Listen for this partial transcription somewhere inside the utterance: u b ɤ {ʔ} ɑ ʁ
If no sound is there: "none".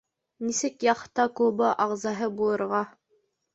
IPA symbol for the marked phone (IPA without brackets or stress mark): ʔ